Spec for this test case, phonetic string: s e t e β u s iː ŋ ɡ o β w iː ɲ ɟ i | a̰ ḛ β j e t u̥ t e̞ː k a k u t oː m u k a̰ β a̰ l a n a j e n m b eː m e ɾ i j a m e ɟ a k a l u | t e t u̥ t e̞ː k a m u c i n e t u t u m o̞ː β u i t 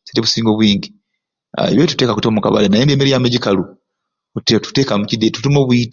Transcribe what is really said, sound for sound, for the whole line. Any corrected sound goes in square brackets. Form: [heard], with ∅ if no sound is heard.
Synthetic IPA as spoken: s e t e β u s iː ŋ ɡ o β w iː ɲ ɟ i | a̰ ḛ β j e t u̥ t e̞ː k a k u t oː m u k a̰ β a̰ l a n a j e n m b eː m e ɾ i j a m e ɟ [i] k a l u | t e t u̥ t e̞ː k a m u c i [d] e t u t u m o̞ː β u i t